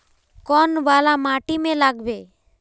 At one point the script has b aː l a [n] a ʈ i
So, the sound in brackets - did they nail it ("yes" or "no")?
no